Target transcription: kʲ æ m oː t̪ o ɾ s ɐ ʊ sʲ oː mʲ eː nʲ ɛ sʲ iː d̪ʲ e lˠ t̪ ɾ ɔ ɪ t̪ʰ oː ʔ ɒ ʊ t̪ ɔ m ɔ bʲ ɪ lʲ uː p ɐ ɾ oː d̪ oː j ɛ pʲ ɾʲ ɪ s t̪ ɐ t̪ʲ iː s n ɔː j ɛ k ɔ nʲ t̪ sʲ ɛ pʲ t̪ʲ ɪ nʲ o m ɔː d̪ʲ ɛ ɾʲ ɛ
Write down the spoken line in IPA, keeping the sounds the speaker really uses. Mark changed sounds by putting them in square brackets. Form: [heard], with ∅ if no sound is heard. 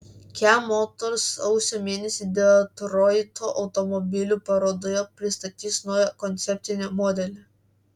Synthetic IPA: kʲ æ m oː t̪ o ɾ s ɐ ʊ sʲ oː mʲ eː nʲ ɛ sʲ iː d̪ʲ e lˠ t̪ ɾ ɔ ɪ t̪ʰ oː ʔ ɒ ʊ t̪ ɔ m ɔ bʲ ɪ lʲ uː p ɐ ɾ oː d̪ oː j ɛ pʲ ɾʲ ɪ s t̪ ɐ t̪ʲ iː s n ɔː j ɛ k ɔ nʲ t̪ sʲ ɛ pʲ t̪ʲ ɪ nʲ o m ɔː d̪ʲ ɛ [lʲ] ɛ